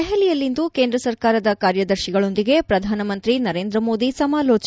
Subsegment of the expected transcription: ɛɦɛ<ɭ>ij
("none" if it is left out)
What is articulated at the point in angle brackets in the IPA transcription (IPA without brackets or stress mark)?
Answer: l